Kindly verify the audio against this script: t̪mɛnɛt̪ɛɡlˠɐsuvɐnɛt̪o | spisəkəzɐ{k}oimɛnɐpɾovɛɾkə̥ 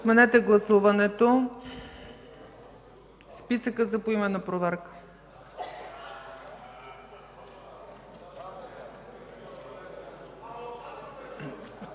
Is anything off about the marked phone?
yes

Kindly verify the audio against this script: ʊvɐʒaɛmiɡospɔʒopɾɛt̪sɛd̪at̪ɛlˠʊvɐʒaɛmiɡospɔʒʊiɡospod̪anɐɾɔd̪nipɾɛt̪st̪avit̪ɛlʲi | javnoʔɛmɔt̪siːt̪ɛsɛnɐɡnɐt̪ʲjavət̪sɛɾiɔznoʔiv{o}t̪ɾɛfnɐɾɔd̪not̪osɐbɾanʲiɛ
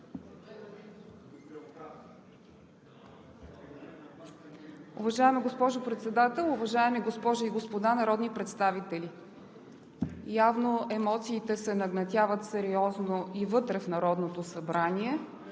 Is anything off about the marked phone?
yes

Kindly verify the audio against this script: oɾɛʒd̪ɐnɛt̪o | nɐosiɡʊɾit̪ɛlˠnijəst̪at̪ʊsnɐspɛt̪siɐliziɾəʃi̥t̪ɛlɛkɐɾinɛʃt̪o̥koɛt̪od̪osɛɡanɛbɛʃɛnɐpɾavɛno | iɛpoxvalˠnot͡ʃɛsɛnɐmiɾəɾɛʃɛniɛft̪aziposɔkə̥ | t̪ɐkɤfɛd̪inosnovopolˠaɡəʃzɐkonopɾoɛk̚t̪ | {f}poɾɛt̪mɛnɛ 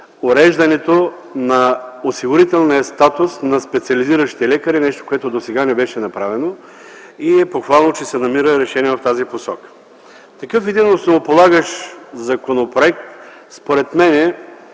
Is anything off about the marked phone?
yes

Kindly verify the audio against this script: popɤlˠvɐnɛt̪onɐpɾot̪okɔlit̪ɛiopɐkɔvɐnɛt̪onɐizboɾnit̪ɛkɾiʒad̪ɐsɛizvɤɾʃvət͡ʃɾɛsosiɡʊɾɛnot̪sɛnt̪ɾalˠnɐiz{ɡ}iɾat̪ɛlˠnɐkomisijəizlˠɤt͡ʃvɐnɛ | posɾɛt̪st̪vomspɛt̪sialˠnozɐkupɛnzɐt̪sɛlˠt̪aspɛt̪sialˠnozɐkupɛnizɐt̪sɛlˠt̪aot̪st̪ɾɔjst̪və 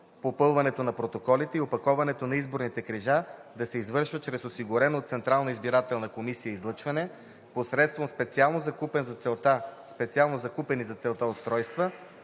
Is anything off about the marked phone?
yes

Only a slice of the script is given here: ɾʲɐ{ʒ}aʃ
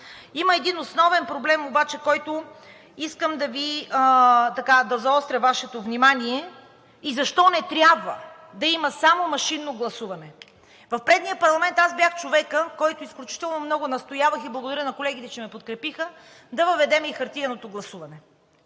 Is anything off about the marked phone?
yes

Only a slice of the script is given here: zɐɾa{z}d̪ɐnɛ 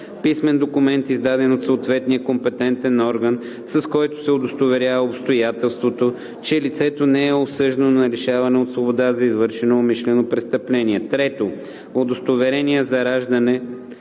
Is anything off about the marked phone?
yes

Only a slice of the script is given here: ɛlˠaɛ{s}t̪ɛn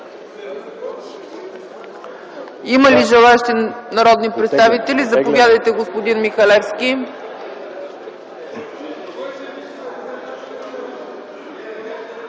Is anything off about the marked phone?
yes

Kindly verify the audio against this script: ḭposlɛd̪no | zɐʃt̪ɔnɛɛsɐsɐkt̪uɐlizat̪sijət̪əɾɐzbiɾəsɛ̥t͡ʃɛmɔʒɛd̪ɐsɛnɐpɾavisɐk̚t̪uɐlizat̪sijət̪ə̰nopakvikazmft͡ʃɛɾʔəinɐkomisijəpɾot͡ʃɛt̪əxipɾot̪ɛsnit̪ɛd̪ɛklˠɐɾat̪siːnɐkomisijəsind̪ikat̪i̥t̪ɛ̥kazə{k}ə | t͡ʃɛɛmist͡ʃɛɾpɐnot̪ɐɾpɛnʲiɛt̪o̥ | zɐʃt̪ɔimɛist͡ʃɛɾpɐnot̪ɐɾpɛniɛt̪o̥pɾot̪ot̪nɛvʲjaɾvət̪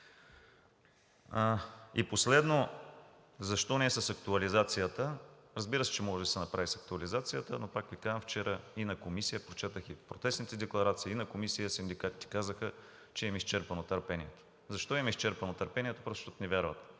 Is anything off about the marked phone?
yes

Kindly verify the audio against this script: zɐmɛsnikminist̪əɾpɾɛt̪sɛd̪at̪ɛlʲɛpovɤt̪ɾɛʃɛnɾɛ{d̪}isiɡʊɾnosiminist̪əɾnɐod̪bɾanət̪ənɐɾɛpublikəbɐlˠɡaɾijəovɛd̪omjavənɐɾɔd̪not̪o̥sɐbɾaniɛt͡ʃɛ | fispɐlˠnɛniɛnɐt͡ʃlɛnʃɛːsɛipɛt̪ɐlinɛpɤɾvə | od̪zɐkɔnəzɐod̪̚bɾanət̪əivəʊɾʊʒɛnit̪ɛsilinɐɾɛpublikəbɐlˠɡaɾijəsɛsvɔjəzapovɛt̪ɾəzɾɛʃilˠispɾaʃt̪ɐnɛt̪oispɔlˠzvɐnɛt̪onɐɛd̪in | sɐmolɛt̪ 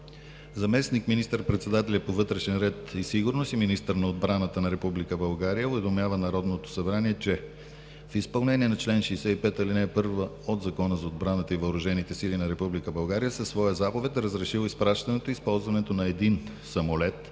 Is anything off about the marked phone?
yes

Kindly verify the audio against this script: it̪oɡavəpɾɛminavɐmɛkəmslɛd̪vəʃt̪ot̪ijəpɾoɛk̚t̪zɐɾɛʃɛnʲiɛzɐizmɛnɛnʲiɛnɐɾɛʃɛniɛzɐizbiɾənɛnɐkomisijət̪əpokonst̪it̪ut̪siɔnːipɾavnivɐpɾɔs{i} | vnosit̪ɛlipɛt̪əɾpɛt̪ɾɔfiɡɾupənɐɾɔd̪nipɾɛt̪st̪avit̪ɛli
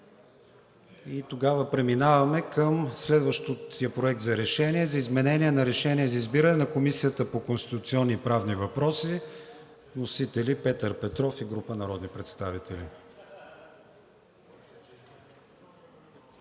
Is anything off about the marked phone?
no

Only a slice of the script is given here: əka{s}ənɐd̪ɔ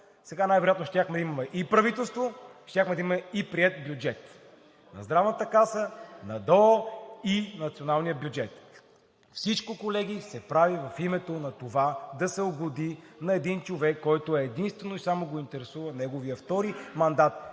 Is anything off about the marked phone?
no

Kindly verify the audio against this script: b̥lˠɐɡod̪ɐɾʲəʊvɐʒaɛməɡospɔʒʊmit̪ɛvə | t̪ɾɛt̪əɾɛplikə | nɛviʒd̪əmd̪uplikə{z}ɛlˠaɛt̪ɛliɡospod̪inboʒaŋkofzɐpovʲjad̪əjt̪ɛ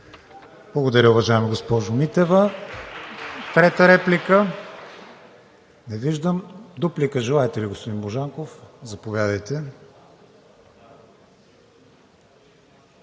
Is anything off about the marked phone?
yes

